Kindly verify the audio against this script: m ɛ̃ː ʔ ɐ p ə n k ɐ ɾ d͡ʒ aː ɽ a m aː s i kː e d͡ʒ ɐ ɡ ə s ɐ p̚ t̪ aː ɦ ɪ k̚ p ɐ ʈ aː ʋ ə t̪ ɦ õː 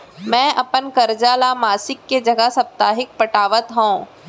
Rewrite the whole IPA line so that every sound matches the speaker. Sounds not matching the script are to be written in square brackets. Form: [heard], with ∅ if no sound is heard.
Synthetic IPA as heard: m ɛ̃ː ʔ ɐ p ə n k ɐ ɾ d͡ʒ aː [l] a m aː s [ɪ] kː e d͡ʒ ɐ ɡ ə s ɐ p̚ t̪ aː ɦ ɪ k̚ p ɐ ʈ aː ʋ ə t̪ ɦ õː